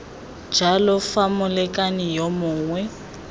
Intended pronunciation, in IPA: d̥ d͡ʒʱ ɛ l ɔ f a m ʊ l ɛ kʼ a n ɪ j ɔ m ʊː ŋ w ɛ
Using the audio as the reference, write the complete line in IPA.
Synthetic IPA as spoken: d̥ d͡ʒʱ a l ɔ f a m ʊ l ɛ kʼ a n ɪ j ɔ m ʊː ŋ w ɛ